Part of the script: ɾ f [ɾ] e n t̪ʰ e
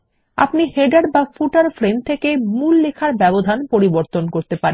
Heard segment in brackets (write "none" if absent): ɾ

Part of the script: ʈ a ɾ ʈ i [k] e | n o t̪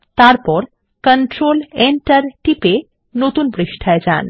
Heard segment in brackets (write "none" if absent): p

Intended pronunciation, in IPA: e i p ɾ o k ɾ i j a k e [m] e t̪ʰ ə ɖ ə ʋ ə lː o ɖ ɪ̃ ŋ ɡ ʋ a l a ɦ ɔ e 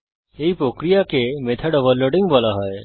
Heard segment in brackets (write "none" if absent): m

